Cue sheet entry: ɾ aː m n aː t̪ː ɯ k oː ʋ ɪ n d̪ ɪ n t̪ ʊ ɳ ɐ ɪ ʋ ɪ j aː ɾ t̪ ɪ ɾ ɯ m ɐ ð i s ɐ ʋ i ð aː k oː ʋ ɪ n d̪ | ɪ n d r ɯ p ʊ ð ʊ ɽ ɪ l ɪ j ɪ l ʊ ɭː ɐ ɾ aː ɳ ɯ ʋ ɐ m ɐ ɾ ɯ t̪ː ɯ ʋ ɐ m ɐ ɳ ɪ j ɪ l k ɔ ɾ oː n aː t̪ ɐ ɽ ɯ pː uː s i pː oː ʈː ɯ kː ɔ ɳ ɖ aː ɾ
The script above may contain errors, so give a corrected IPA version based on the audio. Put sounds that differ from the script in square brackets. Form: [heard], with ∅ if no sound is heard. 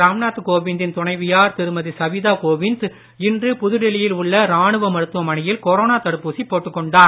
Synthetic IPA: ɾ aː m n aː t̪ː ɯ k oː ʋ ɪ n d̪ ɪ n t̪ ʊ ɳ ɐ ɪ ʋ ɪ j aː ɾ t̪ ɪ ɾ ɯ m ɐ ð i s ɐ ʋ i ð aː k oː ʋ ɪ n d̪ | ɪ n d r ɯ p ʊ ð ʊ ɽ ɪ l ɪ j ɪ l ʊ ɭː ɐ ɾ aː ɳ ɯ ʋ ɐ m ɐ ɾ ɯ t̪ː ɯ ʋ ɐ m ɐ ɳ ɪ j ɪ l k ɔ ɾ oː n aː t̪ ɐ ɽ ɯ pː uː s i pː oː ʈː ɯ kː ɔ ɳ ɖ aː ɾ